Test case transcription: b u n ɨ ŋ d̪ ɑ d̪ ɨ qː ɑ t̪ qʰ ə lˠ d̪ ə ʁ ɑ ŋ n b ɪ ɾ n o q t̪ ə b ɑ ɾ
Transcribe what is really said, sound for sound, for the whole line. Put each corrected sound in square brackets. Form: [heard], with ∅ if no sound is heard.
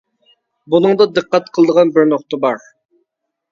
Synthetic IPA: b u n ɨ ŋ d̪ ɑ d̪ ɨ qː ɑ t̪ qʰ ə lˠ d̪ ə ʁ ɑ [∅] n b ɪ ɾ n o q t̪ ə b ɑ ɾ